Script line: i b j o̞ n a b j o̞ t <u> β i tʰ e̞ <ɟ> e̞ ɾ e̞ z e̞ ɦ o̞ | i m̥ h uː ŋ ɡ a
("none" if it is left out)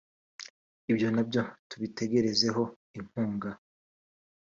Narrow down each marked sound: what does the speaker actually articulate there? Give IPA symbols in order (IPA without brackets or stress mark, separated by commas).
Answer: u, ɡ